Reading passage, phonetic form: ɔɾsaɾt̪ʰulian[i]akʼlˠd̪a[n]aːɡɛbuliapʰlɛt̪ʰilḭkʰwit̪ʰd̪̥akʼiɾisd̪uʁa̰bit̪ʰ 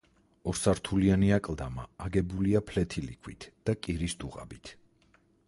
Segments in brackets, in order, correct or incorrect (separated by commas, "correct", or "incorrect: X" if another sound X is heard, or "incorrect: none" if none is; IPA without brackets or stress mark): correct, incorrect: m